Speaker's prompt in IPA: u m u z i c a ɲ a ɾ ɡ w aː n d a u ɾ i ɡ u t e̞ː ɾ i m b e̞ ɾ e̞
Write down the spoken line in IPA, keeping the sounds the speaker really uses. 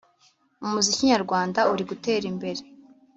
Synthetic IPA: u m u z i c i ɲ a ɾ ɡ w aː n d a u ɾ i ɡ u t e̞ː ɾ i m b e̞ ɾ e̞